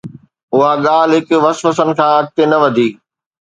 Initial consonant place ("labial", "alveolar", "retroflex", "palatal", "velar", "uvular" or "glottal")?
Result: glottal